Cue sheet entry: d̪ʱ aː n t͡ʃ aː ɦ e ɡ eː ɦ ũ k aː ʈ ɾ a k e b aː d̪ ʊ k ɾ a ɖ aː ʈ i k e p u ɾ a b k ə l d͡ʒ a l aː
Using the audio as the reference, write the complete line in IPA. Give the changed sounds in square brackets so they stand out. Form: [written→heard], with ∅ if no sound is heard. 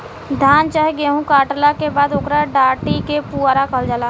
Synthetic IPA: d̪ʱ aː n t͡ʃ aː ɦ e ɡ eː ɦ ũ k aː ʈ [ɾ→l] a k e b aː d̪ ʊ k ɾ a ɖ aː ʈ i k e p u ɾ a [b→∅] k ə l d͡ʒ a l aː